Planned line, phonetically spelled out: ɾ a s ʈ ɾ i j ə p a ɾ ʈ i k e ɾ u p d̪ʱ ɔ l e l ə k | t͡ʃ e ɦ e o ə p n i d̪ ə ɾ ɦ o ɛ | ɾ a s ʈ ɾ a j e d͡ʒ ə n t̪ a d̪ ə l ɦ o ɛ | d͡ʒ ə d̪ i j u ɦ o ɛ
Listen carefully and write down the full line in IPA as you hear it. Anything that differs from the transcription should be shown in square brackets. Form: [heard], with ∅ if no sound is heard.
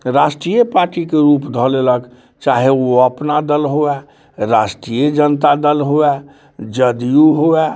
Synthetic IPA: ɾ a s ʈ ɾ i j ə p a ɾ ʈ i k e ɾ u p d̪ʱ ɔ l e l ə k | t͡ʃ [a] ɦ e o ə p n [a] d̪ ə [l] ɦ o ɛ | ɾ a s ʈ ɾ [i] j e d͡ʒ ə n t̪ a d̪ ə l ɦ o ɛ | d͡ʒ ə d̪ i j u ɦ o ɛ

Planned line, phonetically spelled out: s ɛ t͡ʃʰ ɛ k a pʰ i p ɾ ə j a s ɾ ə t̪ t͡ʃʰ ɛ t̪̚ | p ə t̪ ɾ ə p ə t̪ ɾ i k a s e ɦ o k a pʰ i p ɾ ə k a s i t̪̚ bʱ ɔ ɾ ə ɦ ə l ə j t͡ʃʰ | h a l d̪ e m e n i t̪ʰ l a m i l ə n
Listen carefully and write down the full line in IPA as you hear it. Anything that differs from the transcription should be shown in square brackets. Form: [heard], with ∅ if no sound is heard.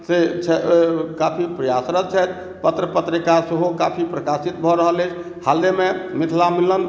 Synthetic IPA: s [e] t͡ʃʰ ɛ k a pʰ i p ɾ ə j a s ɾ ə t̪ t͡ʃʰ ɛ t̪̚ | p ə t̪ ɾ ə p ə t̪ ɾ i k a s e ɦ o k a pʰ i p ɾ ə k a s i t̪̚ bʱ ɔ ɾ ə ɦ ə l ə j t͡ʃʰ | h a l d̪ e m e [m] i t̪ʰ l a m i l ə n

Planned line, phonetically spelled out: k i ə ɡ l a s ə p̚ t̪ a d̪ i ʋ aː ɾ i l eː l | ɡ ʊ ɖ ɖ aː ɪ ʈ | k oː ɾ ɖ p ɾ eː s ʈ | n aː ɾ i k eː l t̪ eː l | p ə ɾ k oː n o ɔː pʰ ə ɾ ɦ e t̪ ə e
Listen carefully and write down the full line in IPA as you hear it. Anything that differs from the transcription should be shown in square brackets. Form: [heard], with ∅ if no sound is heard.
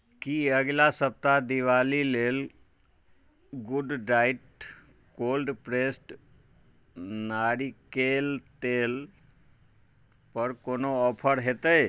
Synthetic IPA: k i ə ɡ l a s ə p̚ t̪ a d̪ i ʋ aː [l] i l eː l | ɡ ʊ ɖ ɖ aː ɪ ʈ | k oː [l] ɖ p ɾ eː s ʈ | n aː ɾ i k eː l t̪ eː l | p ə ɾ k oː n o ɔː pʰ ə ɾ ɦ e t̪ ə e

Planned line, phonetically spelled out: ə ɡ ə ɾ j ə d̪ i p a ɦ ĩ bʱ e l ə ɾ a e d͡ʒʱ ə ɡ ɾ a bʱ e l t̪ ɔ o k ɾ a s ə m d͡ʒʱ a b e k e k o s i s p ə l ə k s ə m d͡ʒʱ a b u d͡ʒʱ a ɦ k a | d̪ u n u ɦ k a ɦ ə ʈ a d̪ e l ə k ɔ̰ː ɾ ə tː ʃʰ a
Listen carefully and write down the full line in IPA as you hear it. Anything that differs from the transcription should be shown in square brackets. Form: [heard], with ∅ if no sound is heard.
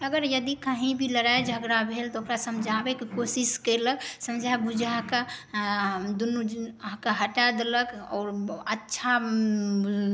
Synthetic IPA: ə ɡ ə ɾ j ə d̪ i [k] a ɦ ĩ bʱ [i] l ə ɾ a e d͡ʒʱ ə ɡ ɾ a bʱ e l t̪ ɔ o k ɾ a s ə m d͡ʒʱ a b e k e k o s i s [k] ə l ə k s ə m d͡ʒʱ a b u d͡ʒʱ a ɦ k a | d̪ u n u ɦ k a ɦ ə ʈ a d̪ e l ə k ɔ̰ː ɾ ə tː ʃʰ a

